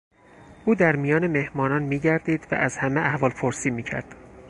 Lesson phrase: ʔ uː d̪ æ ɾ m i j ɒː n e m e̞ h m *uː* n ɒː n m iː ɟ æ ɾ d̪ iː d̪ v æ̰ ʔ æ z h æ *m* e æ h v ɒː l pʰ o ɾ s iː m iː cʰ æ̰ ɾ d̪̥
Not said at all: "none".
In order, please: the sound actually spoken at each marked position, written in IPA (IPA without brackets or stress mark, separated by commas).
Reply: ɒː, m